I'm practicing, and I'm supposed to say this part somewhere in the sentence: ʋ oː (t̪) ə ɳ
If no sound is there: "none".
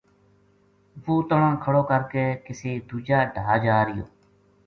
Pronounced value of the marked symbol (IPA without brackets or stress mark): t̪